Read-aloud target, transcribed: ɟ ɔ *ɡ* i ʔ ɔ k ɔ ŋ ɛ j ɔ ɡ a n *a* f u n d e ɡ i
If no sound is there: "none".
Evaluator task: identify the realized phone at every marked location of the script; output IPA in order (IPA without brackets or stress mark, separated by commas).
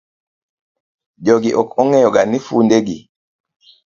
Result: ɡ, i